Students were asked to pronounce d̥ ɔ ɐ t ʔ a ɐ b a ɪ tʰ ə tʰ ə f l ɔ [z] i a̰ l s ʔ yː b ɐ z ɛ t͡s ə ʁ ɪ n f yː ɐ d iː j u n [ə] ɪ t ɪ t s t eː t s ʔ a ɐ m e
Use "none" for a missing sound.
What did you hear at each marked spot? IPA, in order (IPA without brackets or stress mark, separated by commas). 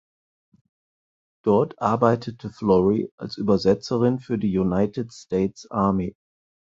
ʁ, a